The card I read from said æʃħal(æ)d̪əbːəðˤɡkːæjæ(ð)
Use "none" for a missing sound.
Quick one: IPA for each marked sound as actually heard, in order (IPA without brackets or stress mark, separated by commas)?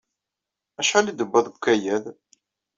i, ð